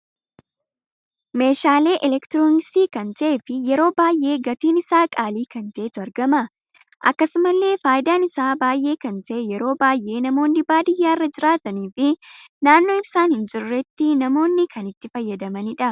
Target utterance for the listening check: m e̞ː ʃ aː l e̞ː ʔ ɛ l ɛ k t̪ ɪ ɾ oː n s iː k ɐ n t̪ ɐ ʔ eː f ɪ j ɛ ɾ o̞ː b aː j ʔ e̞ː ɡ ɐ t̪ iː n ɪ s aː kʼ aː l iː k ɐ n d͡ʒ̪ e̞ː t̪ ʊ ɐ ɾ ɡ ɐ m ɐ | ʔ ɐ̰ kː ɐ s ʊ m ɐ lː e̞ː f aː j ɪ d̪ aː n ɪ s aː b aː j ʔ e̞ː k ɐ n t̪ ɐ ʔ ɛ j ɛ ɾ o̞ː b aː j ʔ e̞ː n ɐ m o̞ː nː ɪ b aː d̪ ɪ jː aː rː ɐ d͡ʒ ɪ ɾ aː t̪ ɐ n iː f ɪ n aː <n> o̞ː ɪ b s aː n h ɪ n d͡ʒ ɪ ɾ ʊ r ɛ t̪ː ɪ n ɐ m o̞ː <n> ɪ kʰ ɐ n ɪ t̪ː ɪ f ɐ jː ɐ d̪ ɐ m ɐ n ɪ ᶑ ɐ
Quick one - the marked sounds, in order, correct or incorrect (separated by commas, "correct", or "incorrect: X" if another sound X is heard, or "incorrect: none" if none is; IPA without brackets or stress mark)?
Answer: incorrect: nː, incorrect: nː